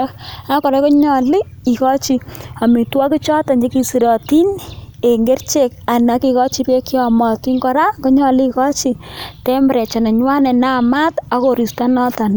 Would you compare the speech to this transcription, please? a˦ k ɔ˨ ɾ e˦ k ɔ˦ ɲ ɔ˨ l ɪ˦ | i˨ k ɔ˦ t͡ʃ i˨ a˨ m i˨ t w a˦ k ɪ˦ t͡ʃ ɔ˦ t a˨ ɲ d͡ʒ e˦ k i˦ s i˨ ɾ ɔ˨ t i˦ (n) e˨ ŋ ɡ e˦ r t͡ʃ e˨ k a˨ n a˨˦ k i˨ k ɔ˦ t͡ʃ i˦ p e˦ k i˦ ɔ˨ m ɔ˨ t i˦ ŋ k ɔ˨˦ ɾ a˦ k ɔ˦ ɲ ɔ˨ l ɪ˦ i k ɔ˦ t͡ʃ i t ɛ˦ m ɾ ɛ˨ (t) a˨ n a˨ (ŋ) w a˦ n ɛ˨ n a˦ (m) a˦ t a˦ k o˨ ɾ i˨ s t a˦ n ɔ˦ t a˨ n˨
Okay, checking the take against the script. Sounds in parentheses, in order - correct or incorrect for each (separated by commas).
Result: correct, incorrect, incorrect, correct